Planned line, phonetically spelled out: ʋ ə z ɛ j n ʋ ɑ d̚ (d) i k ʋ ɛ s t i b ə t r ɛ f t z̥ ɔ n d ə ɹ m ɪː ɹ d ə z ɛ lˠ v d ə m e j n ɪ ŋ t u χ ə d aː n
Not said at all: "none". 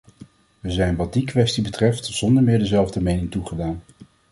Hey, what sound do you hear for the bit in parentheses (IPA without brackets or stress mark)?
d